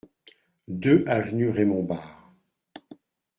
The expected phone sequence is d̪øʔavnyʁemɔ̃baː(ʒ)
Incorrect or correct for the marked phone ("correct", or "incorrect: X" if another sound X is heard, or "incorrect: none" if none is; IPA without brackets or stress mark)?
incorrect: ʁ